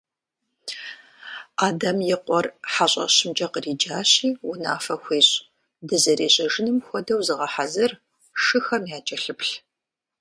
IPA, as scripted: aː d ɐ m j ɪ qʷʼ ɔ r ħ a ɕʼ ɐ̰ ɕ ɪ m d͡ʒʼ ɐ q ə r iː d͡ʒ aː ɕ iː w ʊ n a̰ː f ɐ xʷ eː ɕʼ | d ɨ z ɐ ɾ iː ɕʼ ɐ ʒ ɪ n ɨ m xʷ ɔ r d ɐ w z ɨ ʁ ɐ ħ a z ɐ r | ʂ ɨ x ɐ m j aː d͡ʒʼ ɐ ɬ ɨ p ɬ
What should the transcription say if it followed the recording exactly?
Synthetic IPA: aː d ɐ m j ɪ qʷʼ ɔ r ħ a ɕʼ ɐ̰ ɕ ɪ m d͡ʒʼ ɐ q ə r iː d͡ʒ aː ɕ iː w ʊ n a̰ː f ɐ xʷ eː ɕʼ | d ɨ z ɐ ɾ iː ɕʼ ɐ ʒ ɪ n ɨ m xʷ ɔ d ɐ w z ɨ ʁ ɐ ħ a z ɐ r | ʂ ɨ x ɐ m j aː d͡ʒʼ ɐ ɬ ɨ p ɬ

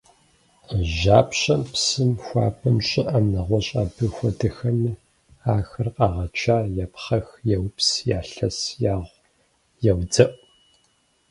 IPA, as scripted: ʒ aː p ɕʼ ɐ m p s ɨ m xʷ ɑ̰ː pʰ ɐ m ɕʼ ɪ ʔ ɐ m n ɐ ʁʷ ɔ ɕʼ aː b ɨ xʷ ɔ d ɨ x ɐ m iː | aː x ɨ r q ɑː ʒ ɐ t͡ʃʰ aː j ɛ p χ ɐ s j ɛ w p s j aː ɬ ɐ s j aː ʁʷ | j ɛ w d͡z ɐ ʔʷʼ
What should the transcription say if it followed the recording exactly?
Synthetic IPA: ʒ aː p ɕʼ ɐ m p s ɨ m xʷ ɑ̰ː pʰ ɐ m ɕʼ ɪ ʔ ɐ m n ɐ ʁʷ ɔ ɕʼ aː b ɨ xʷ ɔ d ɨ x ɐ m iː | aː x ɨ r q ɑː ʁ ɐ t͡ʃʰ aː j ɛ p χ ɐ x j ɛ w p s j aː ɬ ɐ s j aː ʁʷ | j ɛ w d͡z ɐ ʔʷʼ

